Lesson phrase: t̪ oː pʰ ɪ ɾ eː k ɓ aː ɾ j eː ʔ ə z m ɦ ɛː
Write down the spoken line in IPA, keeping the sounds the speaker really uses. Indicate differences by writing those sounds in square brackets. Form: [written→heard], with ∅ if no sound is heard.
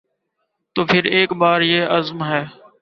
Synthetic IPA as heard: t̪ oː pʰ ɪ ɾ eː k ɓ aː ɾ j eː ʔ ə z m ɦ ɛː